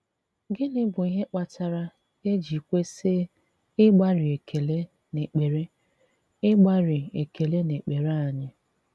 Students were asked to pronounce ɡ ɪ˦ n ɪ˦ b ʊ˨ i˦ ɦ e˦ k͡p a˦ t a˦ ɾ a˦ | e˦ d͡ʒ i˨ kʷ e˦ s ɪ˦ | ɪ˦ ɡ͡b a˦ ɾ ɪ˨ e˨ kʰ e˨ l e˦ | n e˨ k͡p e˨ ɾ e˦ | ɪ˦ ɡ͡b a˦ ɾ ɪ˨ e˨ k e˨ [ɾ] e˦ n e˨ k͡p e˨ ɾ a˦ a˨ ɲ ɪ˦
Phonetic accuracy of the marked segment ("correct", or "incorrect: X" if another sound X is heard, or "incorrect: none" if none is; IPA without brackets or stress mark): incorrect: l